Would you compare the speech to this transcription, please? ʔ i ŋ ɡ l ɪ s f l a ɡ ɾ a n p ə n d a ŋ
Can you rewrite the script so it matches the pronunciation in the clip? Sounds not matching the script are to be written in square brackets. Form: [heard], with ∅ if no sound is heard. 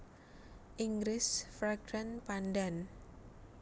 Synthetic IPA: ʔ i ŋ ɡ [ɾ] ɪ s f [ɾ] a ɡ ɾ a n p [a] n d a [n]